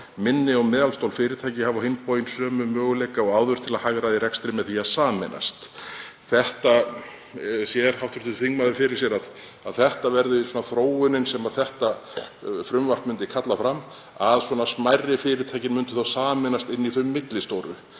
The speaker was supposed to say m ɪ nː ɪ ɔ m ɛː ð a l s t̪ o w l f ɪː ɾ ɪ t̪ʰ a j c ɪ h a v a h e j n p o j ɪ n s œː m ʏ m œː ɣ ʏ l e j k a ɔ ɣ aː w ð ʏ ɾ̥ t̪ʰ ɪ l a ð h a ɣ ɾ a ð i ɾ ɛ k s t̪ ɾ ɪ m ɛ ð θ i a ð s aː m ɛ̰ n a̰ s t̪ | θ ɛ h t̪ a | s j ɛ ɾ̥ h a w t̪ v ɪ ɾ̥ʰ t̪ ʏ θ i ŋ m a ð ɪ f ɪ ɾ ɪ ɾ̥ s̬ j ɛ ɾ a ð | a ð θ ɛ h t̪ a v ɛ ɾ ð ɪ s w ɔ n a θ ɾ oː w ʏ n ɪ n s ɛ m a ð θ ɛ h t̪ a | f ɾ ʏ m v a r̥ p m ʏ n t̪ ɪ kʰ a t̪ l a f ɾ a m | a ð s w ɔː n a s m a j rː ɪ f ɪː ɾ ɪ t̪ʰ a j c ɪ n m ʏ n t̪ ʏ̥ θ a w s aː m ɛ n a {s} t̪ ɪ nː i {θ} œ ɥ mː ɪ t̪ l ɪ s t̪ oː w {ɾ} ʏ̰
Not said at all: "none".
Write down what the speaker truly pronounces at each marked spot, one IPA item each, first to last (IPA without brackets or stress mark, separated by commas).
s, θ, ɾ